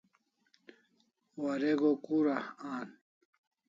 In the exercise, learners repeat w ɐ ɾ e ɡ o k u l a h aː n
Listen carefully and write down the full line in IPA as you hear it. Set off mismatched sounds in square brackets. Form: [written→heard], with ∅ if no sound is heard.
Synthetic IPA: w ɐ ɾ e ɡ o k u [l→ɾ] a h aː n